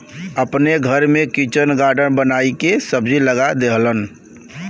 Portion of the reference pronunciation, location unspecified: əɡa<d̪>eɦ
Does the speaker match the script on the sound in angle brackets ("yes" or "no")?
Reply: yes